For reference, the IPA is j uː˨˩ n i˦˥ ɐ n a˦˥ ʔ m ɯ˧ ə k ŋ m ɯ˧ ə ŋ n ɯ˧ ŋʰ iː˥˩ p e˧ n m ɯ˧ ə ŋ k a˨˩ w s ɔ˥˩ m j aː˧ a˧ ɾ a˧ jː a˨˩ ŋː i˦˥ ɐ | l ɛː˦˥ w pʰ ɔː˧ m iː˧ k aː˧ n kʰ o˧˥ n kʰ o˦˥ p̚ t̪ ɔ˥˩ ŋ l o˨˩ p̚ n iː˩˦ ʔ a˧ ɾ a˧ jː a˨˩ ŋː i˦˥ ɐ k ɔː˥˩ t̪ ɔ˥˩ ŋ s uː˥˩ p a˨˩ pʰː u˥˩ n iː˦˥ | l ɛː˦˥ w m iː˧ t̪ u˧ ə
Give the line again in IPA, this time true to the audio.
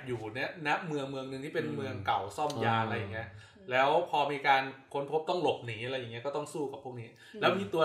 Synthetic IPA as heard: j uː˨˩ n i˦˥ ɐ n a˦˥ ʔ m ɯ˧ ə ŋ m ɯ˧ ə ŋ n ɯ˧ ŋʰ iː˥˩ p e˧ n m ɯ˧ ə ŋ k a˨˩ w s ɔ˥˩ m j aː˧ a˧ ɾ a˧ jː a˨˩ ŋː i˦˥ ɐ | l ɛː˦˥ w pʰ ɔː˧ m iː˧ k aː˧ n kʰ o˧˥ n pʰ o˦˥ p̚ t̪ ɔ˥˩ ŋ l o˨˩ p̚ n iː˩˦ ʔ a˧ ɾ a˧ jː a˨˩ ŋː i˦˥ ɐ k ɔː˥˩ t̪ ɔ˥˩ ŋ s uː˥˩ k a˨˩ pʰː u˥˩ n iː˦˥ | l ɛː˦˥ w m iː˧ t̪ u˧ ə